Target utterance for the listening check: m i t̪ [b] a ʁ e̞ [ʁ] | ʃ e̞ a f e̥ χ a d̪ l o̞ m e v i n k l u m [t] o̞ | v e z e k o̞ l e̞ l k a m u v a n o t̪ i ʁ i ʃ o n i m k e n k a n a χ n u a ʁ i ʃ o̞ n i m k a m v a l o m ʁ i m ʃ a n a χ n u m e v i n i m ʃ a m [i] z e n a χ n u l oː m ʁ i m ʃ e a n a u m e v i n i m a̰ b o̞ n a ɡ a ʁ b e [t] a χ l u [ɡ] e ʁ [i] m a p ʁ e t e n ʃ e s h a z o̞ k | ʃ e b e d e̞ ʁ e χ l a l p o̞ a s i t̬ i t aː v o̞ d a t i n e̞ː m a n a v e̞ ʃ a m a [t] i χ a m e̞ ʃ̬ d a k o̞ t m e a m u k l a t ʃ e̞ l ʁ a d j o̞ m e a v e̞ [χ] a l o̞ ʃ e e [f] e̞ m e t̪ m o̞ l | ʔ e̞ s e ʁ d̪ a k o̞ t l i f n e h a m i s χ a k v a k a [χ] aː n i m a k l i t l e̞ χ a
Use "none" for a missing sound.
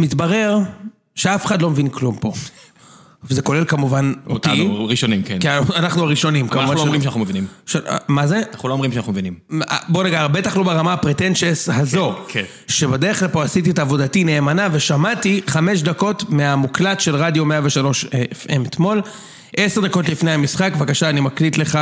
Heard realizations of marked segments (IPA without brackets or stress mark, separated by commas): b, ʁ, p, a, t, b, a, t, ʃ, f, ʃ